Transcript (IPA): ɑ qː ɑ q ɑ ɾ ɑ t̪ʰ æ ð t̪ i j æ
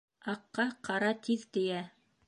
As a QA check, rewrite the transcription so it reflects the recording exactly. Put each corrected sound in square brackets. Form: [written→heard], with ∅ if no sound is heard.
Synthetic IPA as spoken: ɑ qː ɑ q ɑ ɾ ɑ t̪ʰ [æ→i] ð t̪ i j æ